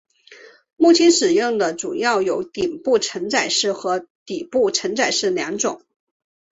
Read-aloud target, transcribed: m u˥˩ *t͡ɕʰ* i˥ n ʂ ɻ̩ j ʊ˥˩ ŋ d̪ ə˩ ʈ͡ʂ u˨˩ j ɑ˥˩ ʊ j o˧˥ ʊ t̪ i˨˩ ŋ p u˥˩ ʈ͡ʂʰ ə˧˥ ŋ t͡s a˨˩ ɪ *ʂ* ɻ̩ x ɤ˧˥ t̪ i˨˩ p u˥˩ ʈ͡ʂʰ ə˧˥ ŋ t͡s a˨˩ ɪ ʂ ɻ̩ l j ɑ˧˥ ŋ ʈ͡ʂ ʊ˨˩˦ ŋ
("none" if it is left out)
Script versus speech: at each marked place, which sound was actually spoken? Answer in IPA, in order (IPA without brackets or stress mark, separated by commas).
t͡ɕʰ, ʂ